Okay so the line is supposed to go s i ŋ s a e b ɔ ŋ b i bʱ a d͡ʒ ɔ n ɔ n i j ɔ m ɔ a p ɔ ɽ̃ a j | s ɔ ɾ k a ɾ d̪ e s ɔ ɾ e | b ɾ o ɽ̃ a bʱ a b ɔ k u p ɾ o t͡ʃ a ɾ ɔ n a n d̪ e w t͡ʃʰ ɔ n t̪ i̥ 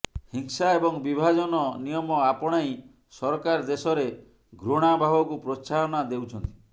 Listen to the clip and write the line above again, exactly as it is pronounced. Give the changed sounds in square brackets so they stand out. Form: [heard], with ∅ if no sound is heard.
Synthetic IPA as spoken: [h] i ŋ s a e b ɔ ŋ b i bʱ a d͡ʒ ɔ n ɔ n i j ɔ m ɔ a p ɔ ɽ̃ a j | s ɔ ɾ k a ɾ d̪ e s ɔ ɾ e | [ɡ] ɾ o ɽ̃ a bʱ a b ɔ k u p ɾ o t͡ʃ a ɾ ɔ n a [∅] d̪ e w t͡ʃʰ ɔ n t̪ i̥